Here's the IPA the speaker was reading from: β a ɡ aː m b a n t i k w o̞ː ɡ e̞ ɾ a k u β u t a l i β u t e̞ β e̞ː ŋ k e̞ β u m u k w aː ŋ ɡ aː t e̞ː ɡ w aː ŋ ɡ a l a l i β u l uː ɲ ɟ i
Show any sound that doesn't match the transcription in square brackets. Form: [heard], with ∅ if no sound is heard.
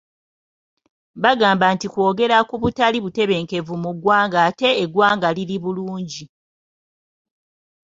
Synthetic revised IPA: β a ɡ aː m b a n t i k w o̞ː ɡ e̞ ɾ a k u β u t a l i β u t e̞ β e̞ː ŋ k e̞ [v] u m u [ɡ] w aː ŋ ɡ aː t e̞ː ɡ w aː ŋ ɡ a l [i] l i β u l uː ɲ ɟ i